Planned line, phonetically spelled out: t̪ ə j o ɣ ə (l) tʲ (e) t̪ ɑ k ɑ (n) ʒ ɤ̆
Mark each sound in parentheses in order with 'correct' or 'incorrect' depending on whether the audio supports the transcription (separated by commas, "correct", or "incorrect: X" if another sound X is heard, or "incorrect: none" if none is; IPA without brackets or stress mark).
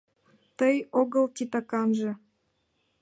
correct, incorrect: i, correct